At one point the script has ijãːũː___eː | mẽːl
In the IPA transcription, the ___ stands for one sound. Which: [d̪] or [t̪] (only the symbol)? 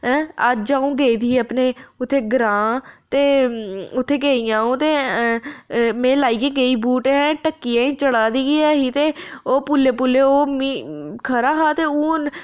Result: t̪